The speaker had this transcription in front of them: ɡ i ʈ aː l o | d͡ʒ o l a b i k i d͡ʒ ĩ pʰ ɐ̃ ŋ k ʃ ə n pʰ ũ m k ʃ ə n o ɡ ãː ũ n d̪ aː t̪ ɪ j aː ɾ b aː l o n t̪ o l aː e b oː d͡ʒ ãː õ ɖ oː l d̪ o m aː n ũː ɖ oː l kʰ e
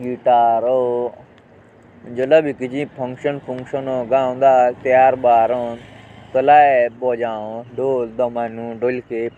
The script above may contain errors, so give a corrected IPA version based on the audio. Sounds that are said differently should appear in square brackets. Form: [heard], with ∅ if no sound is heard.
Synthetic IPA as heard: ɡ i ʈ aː [ɾ] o | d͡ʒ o l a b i k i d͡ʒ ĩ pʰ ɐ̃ ŋ k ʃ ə n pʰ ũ [ŋ] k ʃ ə n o ɡ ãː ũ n d̪ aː t̪ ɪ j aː ɾ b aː [ɾ] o n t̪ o l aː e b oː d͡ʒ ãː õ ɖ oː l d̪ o m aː n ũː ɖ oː l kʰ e